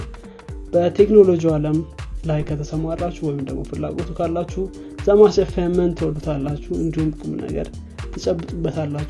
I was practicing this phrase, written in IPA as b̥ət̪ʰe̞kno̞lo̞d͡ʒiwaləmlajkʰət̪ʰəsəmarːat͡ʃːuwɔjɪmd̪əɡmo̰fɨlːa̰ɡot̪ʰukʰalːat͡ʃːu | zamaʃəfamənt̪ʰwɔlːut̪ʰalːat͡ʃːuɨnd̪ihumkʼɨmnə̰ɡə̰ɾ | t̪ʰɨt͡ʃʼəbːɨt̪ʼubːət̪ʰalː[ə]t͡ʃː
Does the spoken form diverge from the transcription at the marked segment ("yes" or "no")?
yes